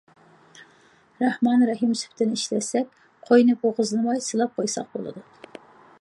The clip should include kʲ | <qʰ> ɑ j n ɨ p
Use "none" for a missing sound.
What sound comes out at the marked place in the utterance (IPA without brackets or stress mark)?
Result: qʰ